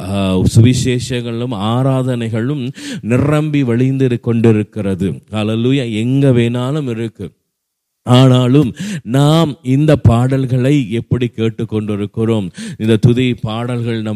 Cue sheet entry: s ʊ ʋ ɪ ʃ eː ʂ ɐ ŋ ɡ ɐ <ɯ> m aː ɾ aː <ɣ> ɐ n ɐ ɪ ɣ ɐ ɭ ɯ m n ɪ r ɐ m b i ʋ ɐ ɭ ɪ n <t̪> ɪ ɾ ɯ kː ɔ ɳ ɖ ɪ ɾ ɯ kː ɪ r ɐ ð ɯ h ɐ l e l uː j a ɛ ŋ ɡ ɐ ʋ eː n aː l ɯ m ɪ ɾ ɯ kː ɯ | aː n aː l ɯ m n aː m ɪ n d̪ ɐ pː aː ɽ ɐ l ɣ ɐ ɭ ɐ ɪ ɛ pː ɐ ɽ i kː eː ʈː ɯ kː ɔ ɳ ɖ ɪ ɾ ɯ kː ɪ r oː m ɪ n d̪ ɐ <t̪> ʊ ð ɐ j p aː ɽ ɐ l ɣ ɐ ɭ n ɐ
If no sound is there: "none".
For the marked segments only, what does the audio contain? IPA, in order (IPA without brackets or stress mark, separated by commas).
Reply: ɯ, ð, d̪, t̪